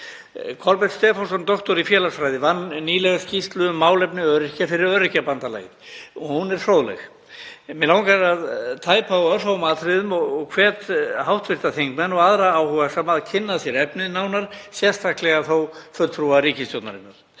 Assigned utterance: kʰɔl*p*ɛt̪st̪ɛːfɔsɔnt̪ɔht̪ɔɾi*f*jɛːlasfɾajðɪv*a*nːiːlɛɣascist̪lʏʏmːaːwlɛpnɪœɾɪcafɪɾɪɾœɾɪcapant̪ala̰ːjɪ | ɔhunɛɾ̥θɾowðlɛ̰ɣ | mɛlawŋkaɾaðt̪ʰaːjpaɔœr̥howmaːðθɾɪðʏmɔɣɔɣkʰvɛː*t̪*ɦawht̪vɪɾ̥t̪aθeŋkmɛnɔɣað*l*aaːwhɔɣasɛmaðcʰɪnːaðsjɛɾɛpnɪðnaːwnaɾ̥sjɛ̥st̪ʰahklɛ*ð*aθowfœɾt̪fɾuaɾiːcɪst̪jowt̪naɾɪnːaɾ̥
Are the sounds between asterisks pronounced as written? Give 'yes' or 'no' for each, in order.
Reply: yes, yes, yes, yes, no, no

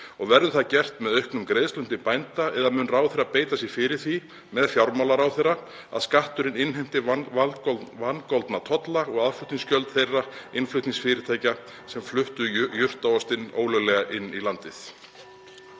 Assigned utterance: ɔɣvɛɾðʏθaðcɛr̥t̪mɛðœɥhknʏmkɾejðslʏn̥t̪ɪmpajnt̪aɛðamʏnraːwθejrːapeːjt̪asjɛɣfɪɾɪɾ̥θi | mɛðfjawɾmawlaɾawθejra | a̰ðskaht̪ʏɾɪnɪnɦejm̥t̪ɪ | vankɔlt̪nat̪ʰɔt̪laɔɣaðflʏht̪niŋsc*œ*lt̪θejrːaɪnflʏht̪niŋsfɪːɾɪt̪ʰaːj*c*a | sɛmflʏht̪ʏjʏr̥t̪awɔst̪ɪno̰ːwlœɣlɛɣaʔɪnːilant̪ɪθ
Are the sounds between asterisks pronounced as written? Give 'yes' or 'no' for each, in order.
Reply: yes, yes

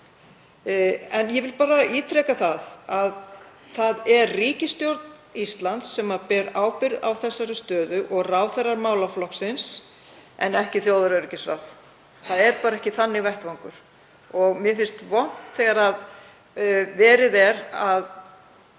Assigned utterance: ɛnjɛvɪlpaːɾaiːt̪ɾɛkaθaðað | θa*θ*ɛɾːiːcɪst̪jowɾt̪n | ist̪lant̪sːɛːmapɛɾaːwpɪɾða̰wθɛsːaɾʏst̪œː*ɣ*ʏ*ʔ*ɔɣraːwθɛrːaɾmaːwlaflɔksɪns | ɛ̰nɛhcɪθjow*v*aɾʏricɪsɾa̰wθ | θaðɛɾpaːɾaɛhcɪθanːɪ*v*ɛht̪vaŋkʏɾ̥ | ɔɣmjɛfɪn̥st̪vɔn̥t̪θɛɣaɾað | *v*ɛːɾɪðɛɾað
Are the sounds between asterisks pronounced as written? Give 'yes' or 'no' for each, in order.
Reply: no, no, yes, no, yes, yes

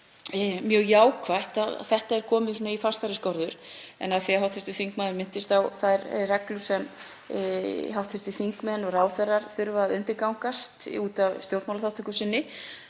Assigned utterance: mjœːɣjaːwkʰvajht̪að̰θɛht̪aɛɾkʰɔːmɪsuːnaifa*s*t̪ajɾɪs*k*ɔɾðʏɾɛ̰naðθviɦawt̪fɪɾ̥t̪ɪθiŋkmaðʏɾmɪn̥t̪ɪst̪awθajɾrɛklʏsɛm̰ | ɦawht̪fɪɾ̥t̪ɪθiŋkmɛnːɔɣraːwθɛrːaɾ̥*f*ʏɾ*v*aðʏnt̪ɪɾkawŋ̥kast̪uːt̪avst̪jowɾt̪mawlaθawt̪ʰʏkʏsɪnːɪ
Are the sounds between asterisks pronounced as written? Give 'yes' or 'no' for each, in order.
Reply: yes, yes, no, yes

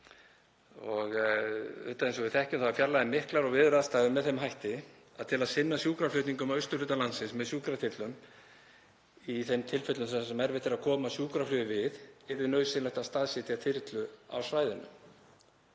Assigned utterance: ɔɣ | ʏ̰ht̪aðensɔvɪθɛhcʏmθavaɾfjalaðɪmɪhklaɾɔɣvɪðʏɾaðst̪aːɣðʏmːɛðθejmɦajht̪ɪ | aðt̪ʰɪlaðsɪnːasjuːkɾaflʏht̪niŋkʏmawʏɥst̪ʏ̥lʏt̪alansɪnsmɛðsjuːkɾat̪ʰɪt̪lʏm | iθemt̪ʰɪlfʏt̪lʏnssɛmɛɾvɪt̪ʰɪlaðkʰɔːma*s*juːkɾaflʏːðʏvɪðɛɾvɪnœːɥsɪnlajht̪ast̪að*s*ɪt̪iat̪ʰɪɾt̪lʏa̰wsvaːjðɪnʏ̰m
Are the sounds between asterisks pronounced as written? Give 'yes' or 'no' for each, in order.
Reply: yes, yes

